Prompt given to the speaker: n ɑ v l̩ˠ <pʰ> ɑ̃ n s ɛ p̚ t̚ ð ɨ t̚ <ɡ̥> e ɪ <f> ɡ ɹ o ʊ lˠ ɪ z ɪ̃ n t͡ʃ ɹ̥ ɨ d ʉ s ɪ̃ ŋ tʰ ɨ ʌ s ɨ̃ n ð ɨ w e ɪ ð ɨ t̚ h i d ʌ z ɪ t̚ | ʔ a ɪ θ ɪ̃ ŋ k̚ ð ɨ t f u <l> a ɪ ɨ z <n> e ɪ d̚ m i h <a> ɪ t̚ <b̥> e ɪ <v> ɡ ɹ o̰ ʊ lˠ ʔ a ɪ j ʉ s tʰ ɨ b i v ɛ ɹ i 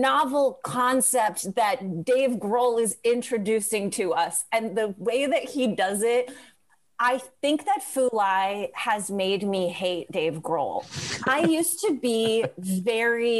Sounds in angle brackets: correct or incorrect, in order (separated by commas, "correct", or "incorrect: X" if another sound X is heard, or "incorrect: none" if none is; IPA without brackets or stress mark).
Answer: incorrect: kʰ, incorrect: d̥, incorrect: v, correct, incorrect: m, incorrect: e, incorrect: d̥, correct